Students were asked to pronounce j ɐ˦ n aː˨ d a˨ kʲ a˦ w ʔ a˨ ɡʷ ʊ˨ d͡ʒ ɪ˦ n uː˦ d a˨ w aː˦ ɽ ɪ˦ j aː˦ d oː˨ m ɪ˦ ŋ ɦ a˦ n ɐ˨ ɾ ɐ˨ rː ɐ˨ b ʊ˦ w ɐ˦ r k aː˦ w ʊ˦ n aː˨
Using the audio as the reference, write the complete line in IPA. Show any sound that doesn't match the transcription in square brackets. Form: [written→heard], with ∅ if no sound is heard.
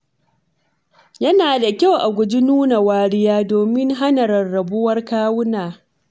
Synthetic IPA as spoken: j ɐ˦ n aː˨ d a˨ kʲ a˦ w ʔ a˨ ɡʷ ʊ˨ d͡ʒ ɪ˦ n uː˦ [d→n] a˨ w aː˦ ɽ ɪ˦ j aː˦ d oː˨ m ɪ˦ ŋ ɦ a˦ n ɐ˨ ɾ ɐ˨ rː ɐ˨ b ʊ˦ w ɐ˦ r k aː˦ w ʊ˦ n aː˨